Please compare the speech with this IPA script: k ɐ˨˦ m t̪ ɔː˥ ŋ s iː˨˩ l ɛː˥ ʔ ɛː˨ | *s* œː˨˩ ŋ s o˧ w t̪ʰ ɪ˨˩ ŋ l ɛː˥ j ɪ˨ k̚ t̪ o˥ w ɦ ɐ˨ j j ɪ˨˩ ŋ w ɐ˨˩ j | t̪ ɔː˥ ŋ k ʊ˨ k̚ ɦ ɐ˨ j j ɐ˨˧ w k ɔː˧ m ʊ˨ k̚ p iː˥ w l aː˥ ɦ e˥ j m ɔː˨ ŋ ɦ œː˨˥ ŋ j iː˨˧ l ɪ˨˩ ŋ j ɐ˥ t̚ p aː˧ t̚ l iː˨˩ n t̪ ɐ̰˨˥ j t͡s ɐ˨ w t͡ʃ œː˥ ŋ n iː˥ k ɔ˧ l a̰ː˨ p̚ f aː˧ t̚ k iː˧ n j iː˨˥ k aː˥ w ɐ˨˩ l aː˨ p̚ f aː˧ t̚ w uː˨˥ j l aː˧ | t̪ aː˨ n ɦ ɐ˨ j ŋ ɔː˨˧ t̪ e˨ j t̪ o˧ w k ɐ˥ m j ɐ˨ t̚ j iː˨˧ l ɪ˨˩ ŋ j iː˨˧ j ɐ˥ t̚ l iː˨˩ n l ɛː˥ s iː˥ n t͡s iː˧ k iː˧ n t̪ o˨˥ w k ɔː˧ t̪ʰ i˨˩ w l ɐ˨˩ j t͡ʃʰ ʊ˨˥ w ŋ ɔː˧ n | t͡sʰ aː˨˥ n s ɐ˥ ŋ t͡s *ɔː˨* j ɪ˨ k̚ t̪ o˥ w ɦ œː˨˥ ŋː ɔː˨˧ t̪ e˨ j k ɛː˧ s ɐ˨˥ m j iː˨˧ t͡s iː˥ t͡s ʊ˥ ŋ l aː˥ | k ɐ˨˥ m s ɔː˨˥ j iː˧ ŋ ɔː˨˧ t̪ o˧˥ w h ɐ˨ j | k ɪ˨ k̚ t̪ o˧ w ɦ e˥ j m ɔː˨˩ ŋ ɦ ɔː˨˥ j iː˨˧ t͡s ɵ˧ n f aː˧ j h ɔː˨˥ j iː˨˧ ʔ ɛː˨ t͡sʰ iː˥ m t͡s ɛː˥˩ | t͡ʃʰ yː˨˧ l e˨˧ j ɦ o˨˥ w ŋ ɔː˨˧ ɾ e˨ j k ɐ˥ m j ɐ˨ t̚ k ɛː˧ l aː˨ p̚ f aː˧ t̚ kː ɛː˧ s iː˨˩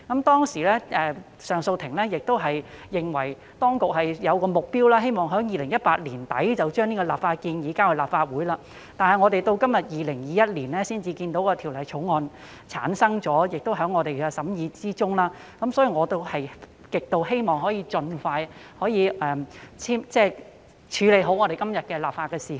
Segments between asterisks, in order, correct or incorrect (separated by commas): correct, incorrect